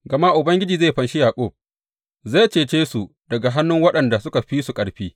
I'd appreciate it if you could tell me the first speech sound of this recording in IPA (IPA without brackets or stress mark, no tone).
ɡ